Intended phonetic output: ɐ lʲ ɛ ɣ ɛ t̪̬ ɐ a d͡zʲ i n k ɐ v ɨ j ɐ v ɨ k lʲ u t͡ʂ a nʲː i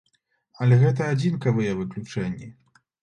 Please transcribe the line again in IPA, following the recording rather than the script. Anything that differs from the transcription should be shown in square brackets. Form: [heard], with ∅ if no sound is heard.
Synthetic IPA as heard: ɐ lʲ ɛ ɣ ɛ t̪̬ ɐ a d͡zʲ i n k ɐ v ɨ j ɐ v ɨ k lʲ u t͡ʂ [ɛ] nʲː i